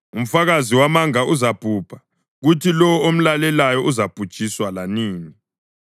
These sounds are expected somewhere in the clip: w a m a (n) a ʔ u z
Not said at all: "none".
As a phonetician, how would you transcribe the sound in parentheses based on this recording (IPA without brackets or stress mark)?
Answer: ŋ